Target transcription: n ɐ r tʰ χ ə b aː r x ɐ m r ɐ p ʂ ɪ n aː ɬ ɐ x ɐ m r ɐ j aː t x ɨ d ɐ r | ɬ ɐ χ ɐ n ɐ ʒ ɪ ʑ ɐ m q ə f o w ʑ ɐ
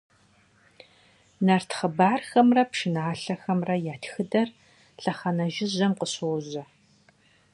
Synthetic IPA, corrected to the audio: n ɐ r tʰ χ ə b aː r x ɐ m r ɐ p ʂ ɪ n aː ɬ ɐ x ɐ m r ɐ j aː t x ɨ d ɐ r | ɬ ɐ χ ɐ n ɐ ʒ ɪ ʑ ɐ m q ə ɕ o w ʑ ɐ